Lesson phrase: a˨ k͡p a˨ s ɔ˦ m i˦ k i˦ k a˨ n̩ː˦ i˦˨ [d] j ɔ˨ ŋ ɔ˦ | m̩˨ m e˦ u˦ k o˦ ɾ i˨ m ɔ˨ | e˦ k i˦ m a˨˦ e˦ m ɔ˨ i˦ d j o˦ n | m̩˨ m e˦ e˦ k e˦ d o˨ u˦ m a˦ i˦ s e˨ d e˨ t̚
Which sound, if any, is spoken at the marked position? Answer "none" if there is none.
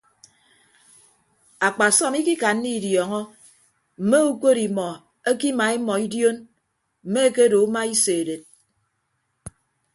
d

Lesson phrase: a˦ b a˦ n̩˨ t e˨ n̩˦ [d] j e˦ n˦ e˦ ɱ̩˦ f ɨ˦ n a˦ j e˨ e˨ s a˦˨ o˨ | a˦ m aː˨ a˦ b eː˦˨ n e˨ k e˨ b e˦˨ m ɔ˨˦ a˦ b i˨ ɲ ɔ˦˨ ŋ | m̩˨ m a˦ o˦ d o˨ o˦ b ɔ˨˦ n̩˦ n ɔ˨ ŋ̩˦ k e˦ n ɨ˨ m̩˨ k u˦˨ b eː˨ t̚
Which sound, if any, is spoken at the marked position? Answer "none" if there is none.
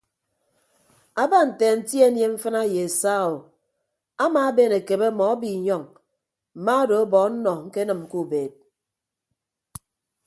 t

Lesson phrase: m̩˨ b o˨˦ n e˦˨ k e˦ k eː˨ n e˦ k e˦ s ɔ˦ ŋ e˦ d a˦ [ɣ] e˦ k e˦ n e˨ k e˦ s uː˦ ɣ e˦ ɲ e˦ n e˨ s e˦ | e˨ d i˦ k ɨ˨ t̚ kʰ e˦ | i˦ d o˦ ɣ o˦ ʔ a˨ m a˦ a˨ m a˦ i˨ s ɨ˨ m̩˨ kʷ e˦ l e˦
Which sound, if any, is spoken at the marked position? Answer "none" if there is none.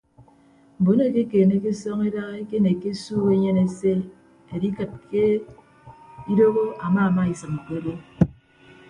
ɣ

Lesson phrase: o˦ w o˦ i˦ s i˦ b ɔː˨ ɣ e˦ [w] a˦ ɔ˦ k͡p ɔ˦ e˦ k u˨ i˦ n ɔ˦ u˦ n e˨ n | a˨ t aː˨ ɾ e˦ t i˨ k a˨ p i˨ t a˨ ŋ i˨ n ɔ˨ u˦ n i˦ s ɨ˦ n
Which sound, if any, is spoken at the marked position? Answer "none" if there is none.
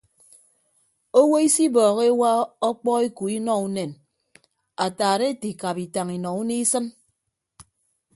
w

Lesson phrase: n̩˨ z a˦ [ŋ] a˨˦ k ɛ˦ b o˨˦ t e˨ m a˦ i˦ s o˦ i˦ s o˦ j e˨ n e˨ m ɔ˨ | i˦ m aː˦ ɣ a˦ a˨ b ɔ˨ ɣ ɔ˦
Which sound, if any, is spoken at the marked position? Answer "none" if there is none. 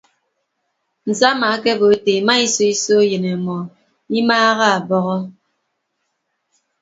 m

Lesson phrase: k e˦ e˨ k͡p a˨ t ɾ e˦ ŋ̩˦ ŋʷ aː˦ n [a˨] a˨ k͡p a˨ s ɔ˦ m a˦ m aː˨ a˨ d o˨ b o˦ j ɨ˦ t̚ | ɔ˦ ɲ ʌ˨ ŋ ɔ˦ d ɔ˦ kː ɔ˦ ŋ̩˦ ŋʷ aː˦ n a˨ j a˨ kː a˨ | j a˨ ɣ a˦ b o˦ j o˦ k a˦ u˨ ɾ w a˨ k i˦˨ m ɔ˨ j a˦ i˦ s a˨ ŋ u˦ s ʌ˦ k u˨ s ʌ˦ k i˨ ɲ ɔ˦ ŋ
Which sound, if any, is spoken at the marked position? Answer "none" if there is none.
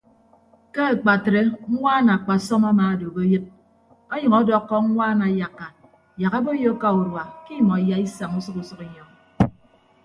a˨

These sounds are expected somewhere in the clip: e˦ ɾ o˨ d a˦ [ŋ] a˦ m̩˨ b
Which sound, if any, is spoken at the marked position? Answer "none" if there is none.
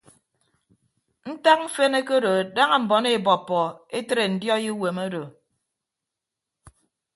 ŋ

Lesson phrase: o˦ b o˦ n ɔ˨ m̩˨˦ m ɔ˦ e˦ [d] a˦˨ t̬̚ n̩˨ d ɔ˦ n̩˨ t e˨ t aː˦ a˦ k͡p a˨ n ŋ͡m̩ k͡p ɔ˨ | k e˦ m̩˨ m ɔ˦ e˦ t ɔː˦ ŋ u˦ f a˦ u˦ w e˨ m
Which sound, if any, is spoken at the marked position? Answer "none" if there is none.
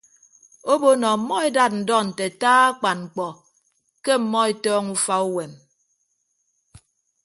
d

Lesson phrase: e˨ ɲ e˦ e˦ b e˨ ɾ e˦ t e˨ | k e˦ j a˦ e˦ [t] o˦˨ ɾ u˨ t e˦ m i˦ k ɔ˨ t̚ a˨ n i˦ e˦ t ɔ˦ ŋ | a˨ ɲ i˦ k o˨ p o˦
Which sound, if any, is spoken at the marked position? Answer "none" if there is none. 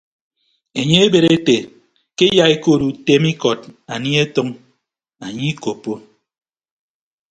k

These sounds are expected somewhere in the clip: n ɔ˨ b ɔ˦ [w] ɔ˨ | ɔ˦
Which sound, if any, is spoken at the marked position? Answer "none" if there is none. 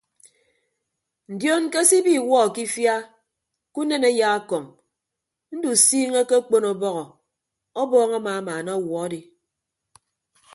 ɣ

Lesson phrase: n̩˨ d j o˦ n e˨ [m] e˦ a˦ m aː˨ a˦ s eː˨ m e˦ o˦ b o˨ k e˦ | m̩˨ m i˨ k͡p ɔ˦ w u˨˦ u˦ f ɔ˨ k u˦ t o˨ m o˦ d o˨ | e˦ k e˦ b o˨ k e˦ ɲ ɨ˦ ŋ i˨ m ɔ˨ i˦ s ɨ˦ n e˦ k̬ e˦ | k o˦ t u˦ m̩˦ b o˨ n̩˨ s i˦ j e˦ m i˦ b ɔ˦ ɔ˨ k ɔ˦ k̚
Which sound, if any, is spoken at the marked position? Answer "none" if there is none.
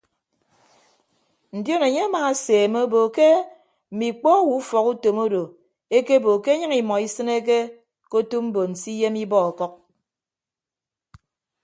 ɲ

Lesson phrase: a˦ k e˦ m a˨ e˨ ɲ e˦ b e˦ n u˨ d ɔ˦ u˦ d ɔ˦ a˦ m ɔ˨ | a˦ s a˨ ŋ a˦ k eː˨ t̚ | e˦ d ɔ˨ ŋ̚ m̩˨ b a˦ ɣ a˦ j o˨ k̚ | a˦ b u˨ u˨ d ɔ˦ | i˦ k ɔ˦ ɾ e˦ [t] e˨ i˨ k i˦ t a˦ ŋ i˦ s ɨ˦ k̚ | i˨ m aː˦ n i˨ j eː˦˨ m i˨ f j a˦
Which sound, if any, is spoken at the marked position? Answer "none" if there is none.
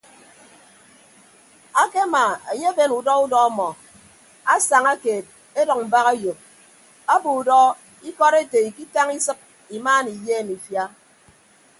t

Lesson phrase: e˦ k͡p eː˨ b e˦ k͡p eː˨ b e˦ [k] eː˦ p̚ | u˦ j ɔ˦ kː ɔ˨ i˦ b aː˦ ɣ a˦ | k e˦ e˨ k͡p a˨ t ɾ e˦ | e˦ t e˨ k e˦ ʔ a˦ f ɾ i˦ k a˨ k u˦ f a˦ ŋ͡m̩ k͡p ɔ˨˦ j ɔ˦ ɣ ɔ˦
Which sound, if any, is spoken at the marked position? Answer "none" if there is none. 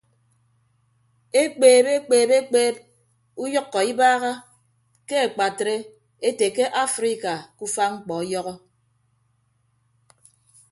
k͡p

